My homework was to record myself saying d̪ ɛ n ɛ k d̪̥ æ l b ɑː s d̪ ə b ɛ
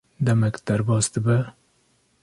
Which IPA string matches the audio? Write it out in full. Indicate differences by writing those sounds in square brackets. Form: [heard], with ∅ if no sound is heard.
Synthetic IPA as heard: d̪ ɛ [m] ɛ k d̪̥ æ [ɾ] b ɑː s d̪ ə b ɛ